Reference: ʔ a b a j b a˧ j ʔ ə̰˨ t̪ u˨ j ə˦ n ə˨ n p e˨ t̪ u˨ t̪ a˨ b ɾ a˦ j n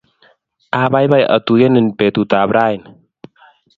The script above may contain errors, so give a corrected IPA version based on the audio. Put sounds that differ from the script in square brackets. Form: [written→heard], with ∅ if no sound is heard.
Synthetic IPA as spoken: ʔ a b a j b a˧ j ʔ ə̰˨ t̪ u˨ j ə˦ n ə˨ n p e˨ t̪ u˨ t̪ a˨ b ɾ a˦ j n